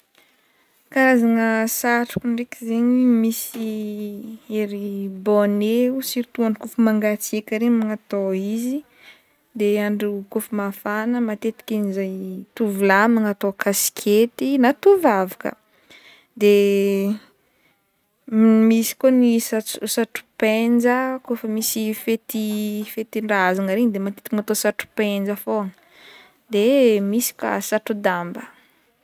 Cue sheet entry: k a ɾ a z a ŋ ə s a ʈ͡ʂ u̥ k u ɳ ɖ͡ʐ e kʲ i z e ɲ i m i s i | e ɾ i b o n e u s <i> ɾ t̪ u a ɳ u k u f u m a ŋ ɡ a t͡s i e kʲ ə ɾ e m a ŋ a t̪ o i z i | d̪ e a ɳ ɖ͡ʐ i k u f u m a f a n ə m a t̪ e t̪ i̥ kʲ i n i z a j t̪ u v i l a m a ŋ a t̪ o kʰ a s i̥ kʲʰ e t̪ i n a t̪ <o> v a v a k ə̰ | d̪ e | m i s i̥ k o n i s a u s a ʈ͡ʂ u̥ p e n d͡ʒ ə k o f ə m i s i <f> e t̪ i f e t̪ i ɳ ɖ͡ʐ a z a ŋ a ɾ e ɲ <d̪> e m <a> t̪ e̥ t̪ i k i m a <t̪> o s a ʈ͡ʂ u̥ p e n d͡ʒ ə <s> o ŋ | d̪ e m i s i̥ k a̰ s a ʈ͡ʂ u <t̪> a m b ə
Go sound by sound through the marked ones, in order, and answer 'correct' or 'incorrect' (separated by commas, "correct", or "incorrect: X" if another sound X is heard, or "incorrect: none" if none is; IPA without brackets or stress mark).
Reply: correct, incorrect: u, correct, correct, correct, correct, incorrect: f, incorrect: d̪